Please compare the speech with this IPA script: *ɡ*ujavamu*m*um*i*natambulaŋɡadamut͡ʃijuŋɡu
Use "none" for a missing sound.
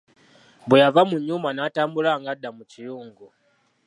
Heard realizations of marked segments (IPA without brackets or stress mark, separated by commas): b, ɲ, a